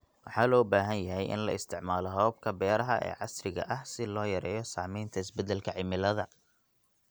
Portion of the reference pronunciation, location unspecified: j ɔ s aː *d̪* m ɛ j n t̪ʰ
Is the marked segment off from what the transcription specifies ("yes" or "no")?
yes